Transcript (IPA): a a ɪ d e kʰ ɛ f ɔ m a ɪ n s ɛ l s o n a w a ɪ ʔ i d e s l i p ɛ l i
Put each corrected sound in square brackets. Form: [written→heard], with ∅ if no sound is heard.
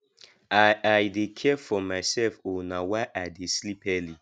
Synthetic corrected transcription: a a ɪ d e kʰ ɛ f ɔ m a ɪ [n→∅] s ɛ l [s→f] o n a w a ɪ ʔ [i→a] d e s l i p ɛ l i